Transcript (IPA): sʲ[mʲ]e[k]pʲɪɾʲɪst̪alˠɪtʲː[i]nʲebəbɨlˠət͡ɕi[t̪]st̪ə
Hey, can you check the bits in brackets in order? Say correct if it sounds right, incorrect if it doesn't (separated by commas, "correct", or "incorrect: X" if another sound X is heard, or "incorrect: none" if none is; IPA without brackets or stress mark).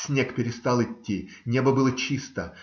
incorrect: nʲ, correct, correct, incorrect: none